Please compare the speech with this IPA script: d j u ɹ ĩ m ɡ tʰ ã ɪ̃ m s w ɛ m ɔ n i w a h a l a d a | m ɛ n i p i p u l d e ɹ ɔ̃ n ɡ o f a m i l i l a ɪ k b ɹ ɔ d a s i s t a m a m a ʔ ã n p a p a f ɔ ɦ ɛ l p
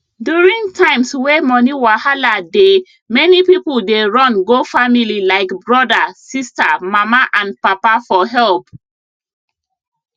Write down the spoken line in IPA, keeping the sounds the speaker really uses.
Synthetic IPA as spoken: d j u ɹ ĩ ŋ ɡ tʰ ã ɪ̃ m s w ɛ m ɔ n i w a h a l a d e | m ɛ n i p i p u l d e ɹ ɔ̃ n ɡ o f a m i l i l a ɪ k b ɹ ɔ d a s i s t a m a m a ʔ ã n p a p a f ɔ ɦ ɛ l p

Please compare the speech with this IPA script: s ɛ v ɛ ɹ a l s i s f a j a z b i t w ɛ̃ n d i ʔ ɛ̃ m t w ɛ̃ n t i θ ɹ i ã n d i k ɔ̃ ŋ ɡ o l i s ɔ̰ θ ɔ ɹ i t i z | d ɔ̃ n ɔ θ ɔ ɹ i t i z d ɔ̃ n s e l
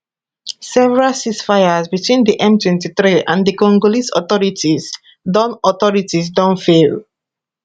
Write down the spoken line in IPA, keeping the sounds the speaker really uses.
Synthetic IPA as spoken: s ɛ v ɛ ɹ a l s i s f a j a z b i t w ĩ n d i ʔ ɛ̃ m t w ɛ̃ n t i θ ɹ i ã n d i k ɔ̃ ŋ ɡ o l i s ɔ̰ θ ɔ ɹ i t i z | d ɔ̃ n ɔ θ ɔ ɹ i t i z d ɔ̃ n f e l

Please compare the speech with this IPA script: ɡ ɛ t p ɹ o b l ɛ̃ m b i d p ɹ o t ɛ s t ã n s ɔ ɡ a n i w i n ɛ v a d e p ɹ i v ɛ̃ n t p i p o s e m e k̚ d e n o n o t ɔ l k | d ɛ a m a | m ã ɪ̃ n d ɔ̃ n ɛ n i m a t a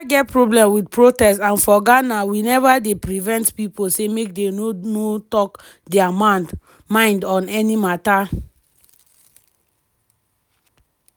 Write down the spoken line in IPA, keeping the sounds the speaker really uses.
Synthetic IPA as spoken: ɡ ɛ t p ɹ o b l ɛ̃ m w i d p ɹ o t ɛ s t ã n f ɔ ɡ a n a w i n ɛ v a d e p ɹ i v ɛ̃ n t p i p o s e m e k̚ d e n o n o t ɔ k | d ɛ a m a | m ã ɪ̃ n d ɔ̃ n ɛ n i m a t a

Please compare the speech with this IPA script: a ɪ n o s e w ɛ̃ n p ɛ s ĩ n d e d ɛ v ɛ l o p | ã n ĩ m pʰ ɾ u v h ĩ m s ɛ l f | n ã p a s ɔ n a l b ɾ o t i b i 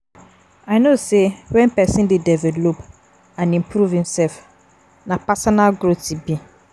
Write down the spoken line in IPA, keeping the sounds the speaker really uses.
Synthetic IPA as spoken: a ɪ n o s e w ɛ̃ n p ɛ s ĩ n d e d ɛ v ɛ l o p | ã n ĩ m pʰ ɾ u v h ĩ m s ɛ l f | n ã p a s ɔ n a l ɡ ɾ o t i b i

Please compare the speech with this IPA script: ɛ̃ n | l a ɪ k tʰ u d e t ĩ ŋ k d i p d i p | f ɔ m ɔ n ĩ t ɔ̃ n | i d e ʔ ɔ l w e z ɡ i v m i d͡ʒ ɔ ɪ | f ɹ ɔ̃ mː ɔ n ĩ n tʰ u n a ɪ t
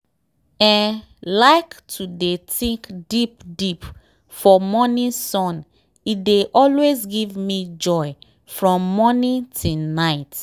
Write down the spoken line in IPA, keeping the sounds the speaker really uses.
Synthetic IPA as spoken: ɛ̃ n | l a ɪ k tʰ u d e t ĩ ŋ k d i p d i p | f ɔ m ɔ n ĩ s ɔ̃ n | i d e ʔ ɔ l w e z ɡ i v m i d͡ʒ ɔ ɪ | f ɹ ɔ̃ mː ɔ n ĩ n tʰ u n a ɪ t

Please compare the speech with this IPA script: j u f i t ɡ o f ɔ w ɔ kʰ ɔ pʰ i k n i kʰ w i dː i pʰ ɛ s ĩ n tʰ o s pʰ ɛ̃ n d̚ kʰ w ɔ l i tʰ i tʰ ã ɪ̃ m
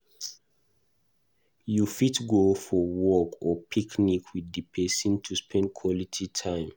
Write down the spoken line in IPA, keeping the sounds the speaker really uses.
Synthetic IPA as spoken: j u f i t ɡ o f ɔ w ɔ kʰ ɔ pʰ i k n i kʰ w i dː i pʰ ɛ s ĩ n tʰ u s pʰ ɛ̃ n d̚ kʰ w ɔ l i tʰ i tʰ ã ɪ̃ m

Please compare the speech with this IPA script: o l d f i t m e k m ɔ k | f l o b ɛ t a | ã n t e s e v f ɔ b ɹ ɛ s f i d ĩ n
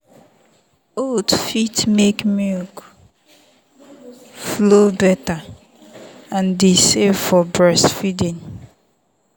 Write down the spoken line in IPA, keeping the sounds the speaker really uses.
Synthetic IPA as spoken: o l d f i t m e k m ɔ k | f l o b ɛ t a | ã n d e s e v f ɔ b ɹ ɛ s f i d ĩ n

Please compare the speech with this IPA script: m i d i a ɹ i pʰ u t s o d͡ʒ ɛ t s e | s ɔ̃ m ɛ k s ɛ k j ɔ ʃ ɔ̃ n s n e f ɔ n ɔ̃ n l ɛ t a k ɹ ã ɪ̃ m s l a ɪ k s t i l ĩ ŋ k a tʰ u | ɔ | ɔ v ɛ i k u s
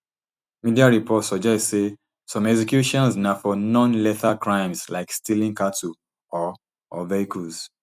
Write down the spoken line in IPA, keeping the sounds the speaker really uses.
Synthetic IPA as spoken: m i d i a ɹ i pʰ ɔ t s ɔ d͡ʒ ɛ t s e | s ɔ̃ m ɛ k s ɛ k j u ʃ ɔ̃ n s n a f ɔ n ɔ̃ n l ɛ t a k ɹ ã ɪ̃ m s l a ɪ k s t i l ĩ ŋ k a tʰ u | ɔ | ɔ v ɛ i k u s

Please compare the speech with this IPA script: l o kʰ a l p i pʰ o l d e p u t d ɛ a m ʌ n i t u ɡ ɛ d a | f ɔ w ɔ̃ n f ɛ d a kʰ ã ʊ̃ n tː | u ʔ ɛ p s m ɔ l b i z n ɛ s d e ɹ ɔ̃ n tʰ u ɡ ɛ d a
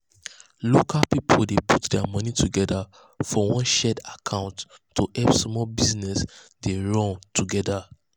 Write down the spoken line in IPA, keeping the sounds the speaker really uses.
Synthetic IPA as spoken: l o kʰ a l p i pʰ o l d e p u t d ɛ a m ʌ n i t u ɡ ɛ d a | f ɔ w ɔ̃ n ʃ ɛ d a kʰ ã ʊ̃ n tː | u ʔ ɛ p s m ɔ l b i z n ɛ s d e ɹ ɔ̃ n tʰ u ɡ ɛ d a

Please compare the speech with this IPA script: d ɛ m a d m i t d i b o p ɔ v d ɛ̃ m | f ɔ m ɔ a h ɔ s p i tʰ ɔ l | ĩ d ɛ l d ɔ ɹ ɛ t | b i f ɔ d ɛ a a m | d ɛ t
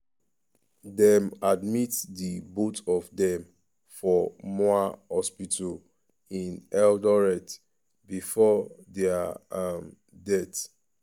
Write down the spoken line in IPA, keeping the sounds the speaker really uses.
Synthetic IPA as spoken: d ɛ m a d m i t d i b o t ɔ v d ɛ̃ m | f ɔ m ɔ a h ɔ s p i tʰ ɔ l | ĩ n ɛ l d ɔ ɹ ɛ t | b i f ɔ d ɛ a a m | d ɛ t

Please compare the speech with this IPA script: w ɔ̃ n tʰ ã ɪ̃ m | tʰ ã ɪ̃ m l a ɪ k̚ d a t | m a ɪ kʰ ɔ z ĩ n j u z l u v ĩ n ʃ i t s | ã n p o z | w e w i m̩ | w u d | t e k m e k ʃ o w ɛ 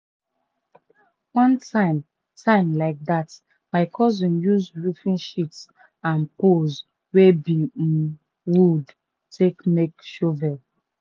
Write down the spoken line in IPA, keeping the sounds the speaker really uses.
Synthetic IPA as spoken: w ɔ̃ n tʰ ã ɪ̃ m | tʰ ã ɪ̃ m l a ɪ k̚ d a t | m a ɪ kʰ ɔ z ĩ n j u z ɹ u f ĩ n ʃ i t s | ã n p o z | w e b i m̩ | w u d | t e k m e k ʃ o v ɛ

